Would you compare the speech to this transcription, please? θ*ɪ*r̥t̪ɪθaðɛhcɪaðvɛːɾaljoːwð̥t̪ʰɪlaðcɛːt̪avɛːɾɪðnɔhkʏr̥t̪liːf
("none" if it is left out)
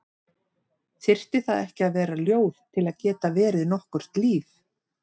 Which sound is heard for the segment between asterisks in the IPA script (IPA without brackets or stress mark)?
ɪ